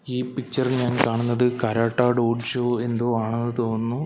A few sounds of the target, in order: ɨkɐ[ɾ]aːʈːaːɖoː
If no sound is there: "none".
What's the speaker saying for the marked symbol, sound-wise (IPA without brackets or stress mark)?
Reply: ɾ